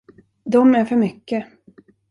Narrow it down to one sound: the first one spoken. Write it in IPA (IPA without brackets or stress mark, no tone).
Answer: d̪